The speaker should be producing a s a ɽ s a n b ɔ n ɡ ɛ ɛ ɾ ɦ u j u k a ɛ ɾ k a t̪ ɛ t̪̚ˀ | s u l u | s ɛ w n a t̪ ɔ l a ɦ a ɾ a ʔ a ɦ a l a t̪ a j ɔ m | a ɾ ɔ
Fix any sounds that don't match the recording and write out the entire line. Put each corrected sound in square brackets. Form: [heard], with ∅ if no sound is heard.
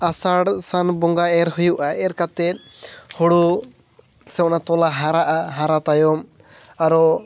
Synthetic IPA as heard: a s a ɽ s a n b ɔ [ŋ] ɡ [a] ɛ ɾ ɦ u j u [ʔ] a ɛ ɾ k a t̪ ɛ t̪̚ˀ | [h] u [ɽ] u | s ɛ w n a t̪ ɔ l a ɦ a ɾ a ʔ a ɦ a [ɾ] a t̪ a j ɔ m | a ɾ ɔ